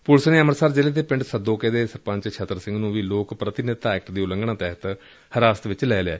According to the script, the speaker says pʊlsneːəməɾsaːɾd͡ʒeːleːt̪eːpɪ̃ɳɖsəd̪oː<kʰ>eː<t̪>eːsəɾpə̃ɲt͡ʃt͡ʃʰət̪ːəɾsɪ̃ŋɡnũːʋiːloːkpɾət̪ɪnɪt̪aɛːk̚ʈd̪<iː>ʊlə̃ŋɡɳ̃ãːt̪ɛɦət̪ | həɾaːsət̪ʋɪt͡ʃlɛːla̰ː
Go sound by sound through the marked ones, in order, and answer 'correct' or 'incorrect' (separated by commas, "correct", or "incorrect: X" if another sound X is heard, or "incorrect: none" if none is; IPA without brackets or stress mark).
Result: incorrect: k, incorrect: d̪, correct